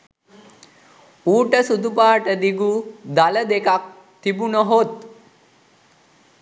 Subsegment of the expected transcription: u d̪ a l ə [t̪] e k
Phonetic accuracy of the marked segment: incorrect: d̪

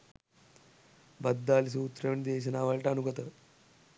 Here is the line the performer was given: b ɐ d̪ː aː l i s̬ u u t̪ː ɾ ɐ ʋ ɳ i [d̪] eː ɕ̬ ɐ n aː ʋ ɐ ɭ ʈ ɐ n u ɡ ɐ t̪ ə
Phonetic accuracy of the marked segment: correct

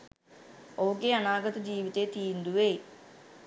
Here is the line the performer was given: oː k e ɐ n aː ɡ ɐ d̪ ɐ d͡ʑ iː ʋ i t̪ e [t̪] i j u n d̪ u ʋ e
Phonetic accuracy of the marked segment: correct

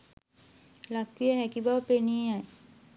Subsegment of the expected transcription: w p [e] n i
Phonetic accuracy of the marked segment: correct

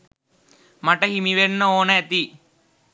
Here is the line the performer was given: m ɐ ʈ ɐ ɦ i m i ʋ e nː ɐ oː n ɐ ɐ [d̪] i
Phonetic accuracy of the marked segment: incorrect: t̪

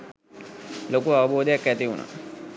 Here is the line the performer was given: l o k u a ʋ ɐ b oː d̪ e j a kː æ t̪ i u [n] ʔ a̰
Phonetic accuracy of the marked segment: correct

